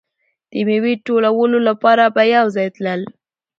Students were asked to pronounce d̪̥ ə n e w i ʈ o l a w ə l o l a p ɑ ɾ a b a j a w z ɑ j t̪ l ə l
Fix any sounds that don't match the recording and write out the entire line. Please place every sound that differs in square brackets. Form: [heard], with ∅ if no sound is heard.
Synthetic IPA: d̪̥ ə [m] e w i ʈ o l a w ə l o l a p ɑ ɾ a b a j a w z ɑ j t̪ l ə l